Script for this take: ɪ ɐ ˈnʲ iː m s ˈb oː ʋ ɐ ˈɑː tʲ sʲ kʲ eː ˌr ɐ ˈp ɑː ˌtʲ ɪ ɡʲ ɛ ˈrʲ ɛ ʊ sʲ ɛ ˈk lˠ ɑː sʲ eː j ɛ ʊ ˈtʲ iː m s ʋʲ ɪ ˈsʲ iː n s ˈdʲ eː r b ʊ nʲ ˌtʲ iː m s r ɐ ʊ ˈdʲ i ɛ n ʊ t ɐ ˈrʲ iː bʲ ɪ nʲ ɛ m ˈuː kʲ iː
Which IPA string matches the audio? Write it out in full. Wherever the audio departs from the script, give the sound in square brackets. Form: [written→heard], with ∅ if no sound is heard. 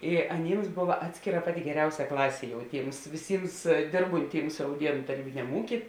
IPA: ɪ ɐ ˈnʲ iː m s ˈb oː ʋ ɐ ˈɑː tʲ sʲ kʲ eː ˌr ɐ ˈp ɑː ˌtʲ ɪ ɡʲ ɛ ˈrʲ ɛ ʊ sʲ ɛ ˈk lˠ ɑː sʲ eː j ɛ ʊ ˈtʲ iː m s ʋʲ ɪ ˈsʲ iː [n→m] s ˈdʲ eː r b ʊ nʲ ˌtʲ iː m s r ɐ ʊ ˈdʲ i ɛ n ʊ t ɐ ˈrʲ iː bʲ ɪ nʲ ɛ m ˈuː kʲ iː